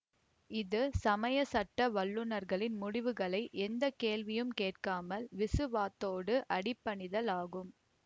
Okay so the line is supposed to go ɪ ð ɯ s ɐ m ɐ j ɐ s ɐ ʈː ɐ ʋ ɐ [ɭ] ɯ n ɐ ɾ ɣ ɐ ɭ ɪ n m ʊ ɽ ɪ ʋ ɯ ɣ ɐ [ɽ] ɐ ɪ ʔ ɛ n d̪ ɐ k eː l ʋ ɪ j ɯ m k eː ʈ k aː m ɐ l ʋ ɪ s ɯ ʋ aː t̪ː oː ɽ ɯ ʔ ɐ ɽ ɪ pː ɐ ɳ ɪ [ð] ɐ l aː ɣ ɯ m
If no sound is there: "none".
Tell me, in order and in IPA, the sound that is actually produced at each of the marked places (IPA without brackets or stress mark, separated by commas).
ɭː, ɭ, ð